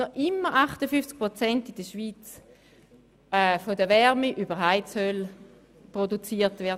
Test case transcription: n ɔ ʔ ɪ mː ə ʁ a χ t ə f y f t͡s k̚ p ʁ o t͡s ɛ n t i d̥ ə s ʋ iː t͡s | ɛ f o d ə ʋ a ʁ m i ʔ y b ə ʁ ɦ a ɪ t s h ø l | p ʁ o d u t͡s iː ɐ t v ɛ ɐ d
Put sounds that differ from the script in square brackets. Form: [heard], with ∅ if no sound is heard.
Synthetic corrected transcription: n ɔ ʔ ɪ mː ə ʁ a χ t ə f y f t͡s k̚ p ʁ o t͡s ɛ n t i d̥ ə [ʃ] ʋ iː t͡s | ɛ f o d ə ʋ [ɛ] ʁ m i ʔ y b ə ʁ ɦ a ɪ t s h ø l | p ʁ o d u t͡s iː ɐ t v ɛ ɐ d

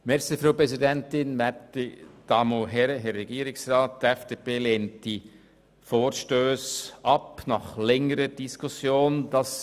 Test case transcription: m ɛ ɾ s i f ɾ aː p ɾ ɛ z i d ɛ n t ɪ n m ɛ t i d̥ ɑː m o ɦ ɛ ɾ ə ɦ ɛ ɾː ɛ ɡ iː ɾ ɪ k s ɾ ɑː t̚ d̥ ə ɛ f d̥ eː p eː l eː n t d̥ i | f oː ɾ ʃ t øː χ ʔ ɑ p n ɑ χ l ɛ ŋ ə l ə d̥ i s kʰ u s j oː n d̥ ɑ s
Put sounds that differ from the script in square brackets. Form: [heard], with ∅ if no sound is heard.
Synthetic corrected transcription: m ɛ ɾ s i f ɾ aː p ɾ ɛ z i d ɛ n t ɪ n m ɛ t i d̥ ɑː m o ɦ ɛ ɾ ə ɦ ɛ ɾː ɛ ɡ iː ɾ ɪ k s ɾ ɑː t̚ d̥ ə ɛ f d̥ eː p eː l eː n t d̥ i | f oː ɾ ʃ t øː [s] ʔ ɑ p n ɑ χ l ɛ ŋ ə [ɾ] ə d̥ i s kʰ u s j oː n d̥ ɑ s

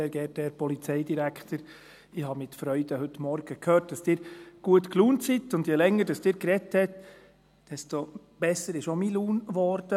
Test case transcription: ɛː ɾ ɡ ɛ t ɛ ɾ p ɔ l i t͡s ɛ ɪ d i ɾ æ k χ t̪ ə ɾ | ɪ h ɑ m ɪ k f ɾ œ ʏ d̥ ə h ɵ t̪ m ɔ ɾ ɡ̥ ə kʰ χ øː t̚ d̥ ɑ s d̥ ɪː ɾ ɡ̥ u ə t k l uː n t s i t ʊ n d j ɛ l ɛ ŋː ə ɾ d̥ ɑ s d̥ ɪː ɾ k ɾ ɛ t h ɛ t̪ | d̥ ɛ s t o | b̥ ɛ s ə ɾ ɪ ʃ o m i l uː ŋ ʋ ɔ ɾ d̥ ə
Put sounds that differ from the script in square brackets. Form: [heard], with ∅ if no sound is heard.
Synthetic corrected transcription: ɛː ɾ ɡ ɛ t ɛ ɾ p ɔ l i t͡s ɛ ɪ d i ɾ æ k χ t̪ ə ɾ | ɪ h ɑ m ɪ [t] f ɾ œ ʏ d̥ ə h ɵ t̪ m ɔ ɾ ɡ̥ ə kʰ [h] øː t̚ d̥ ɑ s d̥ ɪː ɾ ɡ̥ u ə t k l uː n t s i t ʊ n d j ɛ l ɛ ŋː ə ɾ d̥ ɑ s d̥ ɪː ɾ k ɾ ɛ t h ɛ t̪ | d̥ ɛ s t o | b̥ ɛ s ə ɾ ɪ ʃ o m i l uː [n] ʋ ɔ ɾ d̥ ə

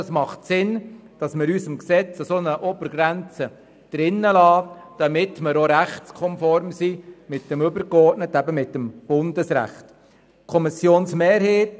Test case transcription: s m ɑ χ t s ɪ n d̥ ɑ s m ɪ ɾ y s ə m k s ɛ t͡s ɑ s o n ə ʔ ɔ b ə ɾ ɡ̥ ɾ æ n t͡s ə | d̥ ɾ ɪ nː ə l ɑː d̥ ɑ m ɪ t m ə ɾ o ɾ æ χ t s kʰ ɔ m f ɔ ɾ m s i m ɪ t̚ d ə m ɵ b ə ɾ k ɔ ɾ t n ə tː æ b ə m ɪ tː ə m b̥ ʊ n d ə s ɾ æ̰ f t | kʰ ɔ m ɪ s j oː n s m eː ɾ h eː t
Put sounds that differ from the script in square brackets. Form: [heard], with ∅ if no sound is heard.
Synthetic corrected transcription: s m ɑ χ t s ɪ n d̥ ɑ s m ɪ ɾ y s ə m k s ɛ t͡s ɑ s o n ə ʔ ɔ b ə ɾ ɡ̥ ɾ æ n t͡s ə | d̥ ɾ ɪ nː ə l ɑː d̥ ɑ m ɪ t m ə ɾ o ɾ æ χ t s kʰ ɔ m f ɔ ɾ m s i m ɪ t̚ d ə m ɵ b ə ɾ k ɔ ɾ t n ə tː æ b ə m ɪ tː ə m b̥ ʊ n d ə s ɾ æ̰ [χ] t | kʰ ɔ m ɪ s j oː n s m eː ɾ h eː t

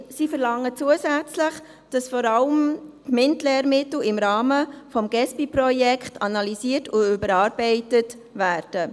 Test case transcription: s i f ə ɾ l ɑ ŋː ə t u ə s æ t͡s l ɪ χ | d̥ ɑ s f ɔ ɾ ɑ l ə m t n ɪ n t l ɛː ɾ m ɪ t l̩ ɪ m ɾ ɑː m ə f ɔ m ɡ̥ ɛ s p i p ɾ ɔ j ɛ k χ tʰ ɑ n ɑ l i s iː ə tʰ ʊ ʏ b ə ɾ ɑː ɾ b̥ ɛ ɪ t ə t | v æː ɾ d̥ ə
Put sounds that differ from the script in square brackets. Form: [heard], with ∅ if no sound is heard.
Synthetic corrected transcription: s i f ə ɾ l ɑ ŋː ə [t͡s] u ə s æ t͡s l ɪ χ | d̥ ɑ s f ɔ ɾ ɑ l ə m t [m] ɪ n t l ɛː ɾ m ɪ t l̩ ɪ m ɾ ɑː m ə f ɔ m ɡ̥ ɛ s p i p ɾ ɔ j ɛ k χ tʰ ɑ n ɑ l i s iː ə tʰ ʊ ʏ b ə ɾ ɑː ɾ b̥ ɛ ɪ t ə t | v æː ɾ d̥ ə

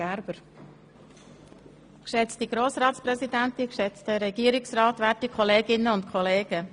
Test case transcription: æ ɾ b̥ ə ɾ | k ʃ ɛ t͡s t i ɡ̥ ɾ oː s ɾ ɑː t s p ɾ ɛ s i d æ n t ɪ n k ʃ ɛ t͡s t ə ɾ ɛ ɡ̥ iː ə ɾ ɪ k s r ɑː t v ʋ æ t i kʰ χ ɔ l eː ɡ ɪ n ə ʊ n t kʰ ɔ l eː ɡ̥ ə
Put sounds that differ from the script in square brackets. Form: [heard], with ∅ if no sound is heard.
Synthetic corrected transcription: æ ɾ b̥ ə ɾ | k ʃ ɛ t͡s t i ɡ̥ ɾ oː s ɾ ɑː t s p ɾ ɛ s i d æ n t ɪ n k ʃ ɛ t͡s t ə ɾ ɛ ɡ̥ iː ə ɾ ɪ k s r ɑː t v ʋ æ t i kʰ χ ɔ l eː ɡ ɪ n ə ʊ n t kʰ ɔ l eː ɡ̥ ə

